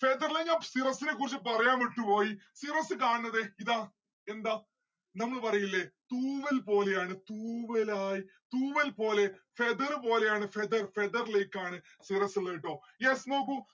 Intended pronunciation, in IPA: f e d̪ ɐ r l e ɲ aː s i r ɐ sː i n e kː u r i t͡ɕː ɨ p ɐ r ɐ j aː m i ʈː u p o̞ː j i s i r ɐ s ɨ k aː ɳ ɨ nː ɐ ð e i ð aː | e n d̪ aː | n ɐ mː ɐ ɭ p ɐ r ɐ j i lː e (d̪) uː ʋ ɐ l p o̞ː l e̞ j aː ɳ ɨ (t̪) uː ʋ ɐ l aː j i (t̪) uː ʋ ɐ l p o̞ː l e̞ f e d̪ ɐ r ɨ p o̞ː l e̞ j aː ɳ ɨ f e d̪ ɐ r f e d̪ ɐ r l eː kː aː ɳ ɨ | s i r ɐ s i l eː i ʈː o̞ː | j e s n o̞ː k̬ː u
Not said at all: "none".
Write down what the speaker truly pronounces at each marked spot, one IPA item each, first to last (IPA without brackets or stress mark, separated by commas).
t̪, t̪, t̪